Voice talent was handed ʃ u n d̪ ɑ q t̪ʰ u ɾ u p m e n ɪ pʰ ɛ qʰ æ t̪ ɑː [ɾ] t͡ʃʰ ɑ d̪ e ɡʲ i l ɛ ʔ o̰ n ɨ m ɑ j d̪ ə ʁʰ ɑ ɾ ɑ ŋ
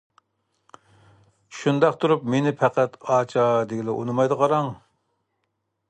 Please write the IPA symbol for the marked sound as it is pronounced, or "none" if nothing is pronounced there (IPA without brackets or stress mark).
none